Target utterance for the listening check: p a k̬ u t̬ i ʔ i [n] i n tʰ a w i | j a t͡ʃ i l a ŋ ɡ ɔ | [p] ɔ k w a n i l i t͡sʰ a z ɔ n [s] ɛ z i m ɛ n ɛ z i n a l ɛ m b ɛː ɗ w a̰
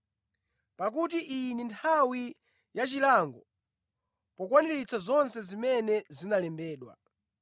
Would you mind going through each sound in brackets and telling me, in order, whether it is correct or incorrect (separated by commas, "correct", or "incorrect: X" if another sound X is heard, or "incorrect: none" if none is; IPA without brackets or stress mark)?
correct, correct, correct